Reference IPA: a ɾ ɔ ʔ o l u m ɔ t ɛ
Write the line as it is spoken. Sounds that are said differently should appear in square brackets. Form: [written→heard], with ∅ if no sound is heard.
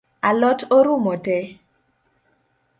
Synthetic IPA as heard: a [ɾ→l] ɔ [ʔ→t] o [l→ɾ] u m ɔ t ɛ